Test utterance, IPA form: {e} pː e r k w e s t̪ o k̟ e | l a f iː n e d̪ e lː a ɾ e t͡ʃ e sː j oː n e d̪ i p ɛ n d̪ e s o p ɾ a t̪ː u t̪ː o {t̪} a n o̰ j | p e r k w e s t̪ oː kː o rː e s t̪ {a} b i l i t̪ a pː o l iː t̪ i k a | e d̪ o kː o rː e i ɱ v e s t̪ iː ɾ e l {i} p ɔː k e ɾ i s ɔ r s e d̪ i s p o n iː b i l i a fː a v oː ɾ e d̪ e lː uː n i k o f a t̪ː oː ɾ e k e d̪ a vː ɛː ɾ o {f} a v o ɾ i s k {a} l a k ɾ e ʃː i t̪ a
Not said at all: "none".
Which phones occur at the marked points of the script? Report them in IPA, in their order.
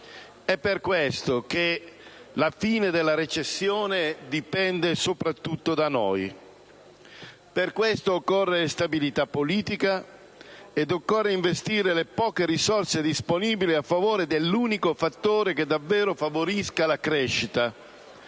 ɛ, d̪, a, e, f, a

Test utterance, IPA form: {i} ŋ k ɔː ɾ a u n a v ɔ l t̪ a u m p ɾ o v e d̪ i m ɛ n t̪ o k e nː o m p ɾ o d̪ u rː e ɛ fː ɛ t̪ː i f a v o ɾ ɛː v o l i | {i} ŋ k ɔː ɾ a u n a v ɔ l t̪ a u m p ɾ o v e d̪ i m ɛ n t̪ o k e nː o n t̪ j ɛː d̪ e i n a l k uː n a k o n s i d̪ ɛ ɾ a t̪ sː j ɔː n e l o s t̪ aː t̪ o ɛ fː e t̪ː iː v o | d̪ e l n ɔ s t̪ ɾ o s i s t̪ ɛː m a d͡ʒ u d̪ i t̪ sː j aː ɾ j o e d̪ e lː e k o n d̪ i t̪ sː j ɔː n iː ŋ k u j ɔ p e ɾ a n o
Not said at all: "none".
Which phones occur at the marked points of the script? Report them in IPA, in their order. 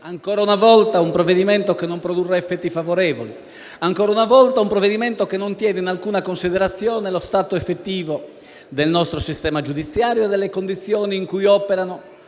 a, a

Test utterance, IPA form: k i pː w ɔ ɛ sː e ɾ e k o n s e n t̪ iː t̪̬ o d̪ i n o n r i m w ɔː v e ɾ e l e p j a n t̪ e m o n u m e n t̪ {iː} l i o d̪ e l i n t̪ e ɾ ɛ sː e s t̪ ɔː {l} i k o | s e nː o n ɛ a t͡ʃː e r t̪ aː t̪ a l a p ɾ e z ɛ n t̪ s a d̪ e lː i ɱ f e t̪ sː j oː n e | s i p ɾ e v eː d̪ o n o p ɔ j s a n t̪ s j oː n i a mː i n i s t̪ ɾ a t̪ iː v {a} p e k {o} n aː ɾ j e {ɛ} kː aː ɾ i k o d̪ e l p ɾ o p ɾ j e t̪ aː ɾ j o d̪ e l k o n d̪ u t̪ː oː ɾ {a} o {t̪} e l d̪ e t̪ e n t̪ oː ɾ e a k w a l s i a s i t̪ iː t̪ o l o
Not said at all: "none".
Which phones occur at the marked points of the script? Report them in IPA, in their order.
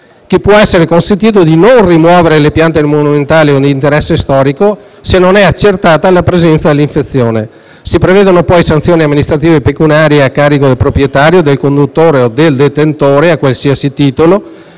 aː, ɾ, e, u, a, e, d̪

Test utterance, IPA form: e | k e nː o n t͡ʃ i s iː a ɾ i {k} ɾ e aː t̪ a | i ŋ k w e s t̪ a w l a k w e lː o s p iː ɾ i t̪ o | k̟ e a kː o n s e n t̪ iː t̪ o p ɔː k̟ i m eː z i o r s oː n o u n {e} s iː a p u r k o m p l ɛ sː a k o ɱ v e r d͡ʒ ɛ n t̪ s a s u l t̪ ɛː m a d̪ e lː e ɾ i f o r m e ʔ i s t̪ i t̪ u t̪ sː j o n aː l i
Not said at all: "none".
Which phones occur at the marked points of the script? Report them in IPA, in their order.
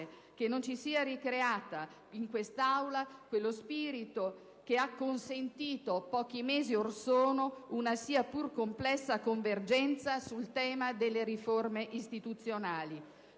k, a

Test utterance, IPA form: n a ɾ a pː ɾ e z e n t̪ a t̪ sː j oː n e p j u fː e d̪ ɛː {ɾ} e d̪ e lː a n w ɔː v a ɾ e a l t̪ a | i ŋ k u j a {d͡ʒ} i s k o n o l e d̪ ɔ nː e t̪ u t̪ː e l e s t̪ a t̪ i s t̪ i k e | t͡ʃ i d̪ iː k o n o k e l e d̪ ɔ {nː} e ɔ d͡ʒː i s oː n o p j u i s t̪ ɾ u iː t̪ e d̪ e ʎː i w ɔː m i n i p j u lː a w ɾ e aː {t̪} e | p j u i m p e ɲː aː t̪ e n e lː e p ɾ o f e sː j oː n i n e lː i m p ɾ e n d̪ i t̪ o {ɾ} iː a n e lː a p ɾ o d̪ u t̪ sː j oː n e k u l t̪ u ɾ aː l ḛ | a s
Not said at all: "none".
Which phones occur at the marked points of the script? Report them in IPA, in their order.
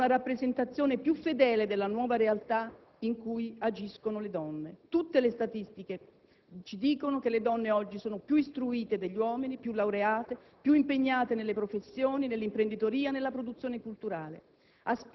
l, d͡ʒ, nː, t̪, ɾ

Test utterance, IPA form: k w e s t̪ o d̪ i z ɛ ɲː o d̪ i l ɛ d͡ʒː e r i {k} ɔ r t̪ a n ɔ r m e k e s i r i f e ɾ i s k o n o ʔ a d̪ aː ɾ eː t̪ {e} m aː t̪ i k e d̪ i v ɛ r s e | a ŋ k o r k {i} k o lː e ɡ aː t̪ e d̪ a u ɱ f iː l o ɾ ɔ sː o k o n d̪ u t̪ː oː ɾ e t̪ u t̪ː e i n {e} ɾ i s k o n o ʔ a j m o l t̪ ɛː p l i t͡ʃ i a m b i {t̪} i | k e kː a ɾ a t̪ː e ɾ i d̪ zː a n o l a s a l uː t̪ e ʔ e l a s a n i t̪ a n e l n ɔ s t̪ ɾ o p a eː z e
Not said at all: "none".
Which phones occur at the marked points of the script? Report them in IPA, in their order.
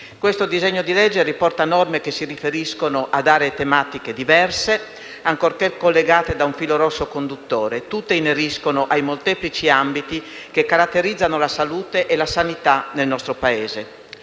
p, e, e, e, t̪

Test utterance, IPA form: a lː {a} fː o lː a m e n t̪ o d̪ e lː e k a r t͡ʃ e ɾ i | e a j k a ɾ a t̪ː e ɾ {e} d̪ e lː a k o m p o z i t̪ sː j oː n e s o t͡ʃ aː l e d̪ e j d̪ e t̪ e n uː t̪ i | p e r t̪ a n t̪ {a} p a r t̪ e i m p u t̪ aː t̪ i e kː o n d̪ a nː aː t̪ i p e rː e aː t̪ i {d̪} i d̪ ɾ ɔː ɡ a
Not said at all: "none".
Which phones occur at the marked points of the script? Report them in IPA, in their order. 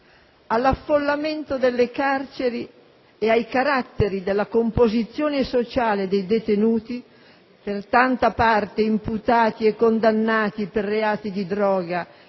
a, i, a, d̪

